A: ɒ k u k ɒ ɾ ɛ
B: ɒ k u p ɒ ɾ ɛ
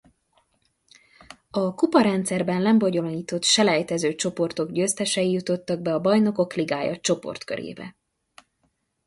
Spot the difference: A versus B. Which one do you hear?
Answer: B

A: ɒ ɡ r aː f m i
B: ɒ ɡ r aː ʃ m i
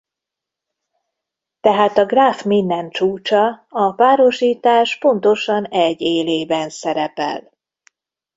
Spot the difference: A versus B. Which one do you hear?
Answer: A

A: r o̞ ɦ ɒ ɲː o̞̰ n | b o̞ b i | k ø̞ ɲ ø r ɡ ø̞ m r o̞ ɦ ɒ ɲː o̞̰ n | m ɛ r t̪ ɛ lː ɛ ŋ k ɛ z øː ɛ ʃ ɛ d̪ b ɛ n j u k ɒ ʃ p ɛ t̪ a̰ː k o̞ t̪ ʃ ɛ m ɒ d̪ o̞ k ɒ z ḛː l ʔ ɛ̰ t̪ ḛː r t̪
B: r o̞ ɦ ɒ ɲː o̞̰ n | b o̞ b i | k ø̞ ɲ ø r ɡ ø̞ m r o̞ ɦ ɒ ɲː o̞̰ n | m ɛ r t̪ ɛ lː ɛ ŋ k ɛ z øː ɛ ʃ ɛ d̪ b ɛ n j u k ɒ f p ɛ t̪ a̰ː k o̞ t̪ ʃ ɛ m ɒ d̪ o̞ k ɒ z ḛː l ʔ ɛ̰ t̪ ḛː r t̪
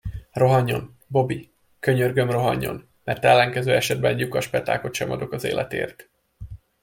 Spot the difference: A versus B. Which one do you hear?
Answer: A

